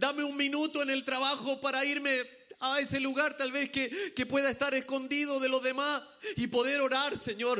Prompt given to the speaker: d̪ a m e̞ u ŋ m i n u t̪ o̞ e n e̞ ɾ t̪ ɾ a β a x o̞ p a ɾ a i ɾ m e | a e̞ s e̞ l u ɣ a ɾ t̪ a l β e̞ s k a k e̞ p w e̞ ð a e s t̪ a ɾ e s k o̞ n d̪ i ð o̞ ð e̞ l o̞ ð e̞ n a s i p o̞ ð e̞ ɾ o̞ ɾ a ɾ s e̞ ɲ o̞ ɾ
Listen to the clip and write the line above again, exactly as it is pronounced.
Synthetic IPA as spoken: d̪ a m e̞ u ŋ m i n u t̪ o̞ e n e̞ l t̪ ɾ a β a x o̞ p a ɾ a i ɾ m e | a e̞ s e̞ l u ɣ a ɾ t̪ a l β e̞ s k e k e̞ p w e̞ ð a e s t̪ a ɾ e s k o̞ n d̪ i ð o̞ ð e̞ l o̞ ð e̞ m a s i p o̞ ð e̞ ɾ o̞ ɾ a ɾ s e̞ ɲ o̞ ɾ